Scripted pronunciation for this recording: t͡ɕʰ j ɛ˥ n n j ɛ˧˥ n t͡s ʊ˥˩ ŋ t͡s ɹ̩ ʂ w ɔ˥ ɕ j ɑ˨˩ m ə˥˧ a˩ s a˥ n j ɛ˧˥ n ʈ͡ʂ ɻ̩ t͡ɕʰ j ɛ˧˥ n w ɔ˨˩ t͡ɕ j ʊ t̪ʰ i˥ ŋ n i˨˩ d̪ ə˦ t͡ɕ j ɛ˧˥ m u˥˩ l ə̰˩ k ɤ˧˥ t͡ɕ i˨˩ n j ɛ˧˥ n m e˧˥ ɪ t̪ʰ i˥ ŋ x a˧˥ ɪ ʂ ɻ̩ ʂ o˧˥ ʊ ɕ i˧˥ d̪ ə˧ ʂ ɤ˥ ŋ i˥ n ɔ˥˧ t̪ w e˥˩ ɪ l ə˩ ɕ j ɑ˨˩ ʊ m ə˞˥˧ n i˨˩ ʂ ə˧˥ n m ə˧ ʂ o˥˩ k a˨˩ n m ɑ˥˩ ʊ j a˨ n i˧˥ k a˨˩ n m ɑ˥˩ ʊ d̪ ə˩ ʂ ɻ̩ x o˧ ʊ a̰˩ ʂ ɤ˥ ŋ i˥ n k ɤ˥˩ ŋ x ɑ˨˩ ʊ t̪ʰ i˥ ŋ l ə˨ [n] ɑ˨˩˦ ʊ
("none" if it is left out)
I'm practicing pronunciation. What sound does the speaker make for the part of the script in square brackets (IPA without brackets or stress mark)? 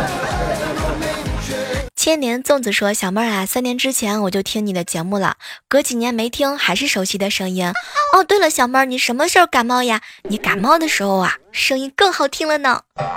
n